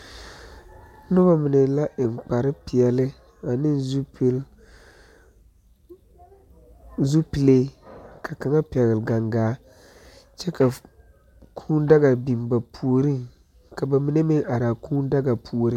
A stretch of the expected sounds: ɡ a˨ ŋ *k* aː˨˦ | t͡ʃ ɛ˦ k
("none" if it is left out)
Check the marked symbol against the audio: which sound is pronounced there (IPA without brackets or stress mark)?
ɡ